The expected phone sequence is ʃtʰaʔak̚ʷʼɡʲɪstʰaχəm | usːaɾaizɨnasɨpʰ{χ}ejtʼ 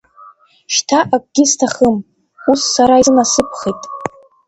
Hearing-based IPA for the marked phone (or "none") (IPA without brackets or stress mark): χ